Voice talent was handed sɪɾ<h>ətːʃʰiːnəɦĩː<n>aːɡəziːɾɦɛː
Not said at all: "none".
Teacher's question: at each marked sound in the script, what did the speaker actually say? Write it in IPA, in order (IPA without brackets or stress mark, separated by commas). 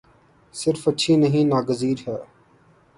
f, n